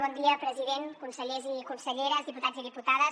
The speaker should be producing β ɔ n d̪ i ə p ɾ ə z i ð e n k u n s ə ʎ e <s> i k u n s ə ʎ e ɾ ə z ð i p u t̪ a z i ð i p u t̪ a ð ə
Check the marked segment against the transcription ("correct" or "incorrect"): incorrect